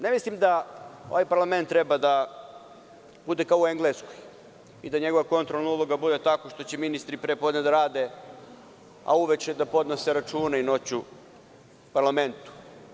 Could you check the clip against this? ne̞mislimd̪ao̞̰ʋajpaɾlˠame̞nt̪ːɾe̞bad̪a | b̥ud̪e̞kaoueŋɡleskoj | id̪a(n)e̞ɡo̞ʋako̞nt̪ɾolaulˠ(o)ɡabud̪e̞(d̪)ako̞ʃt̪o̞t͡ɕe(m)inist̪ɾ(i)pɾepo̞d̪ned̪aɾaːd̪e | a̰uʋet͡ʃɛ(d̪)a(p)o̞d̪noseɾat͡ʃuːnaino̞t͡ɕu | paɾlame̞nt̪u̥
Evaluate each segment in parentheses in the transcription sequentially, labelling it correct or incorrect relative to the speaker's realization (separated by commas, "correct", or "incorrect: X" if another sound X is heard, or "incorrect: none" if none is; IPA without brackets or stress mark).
incorrect: ɲ, correct, incorrect: t̪, correct, correct, correct, correct